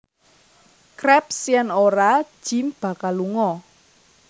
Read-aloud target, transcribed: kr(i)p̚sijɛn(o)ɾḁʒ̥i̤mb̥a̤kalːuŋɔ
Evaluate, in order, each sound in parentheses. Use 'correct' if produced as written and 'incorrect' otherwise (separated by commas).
incorrect, correct